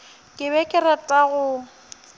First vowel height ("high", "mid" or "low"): high